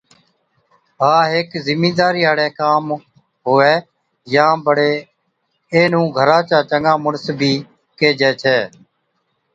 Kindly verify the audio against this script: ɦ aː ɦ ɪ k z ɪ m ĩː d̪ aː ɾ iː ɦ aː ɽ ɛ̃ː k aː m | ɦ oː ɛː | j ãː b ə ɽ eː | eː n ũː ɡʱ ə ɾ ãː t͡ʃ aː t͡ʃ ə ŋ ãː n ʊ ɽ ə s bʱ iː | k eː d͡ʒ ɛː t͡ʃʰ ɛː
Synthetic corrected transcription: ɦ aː ɦ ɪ k z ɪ m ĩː d̪ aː ɾ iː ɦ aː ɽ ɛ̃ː k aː m | ɦ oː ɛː | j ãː b ə ɽ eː | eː n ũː ɡʱ ə ɾ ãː t͡ʃ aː t͡ʃ ə ŋ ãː m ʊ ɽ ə s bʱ iː | k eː d͡ʒ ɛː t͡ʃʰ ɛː